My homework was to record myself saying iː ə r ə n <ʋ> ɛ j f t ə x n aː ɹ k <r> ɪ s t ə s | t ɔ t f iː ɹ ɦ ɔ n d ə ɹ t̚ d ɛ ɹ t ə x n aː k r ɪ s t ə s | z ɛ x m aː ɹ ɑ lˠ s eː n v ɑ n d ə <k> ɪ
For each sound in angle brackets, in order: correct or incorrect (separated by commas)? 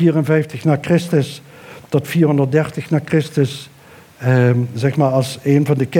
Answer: incorrect, correct, correct